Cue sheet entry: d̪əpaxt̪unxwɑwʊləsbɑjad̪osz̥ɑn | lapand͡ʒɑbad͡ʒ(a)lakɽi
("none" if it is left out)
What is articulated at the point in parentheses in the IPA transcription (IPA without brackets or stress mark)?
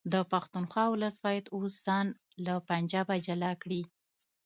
a